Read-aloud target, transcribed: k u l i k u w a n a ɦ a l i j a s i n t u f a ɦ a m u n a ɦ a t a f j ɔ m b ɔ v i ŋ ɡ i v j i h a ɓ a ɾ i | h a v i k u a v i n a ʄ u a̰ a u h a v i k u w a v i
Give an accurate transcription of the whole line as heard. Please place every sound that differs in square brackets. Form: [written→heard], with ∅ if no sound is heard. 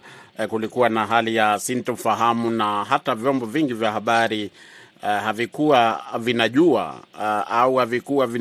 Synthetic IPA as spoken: k u l i k u w a n a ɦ a l i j a s i n t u f a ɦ a m u n a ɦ a t a [f→v] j ɔ m b ɔ v i ŋ ɡ i v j [i→a] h a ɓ a ɾ i | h a v i k u a v i n a ʄ u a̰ a u h a v i k u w a v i